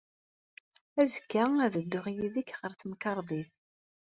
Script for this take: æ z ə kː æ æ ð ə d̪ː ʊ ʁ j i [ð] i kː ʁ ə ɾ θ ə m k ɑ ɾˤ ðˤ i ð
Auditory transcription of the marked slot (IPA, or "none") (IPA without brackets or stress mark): ð